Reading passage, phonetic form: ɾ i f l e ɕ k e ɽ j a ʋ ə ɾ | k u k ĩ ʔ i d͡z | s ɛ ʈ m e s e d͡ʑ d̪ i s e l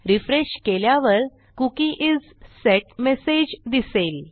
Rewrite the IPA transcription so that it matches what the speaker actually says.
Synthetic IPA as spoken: ɾ i f ɾ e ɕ k e l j a ʋ ə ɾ | k u k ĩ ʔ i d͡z | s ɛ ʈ m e s e d͡ʑ d̪ i s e l